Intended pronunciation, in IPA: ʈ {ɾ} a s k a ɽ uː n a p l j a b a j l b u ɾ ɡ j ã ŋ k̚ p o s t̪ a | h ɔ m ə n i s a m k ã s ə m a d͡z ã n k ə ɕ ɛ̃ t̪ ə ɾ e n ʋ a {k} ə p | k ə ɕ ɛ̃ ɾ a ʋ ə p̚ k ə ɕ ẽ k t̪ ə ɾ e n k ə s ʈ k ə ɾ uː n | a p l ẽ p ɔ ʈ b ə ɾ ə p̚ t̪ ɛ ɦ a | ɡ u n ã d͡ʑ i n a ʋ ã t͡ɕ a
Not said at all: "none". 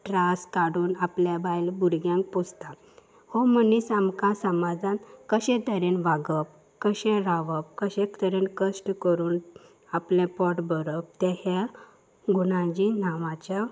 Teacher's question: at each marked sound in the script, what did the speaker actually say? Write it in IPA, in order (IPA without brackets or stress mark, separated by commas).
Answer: ɾ, ɡ